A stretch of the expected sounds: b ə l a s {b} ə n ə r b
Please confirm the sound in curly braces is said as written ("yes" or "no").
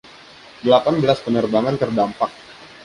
no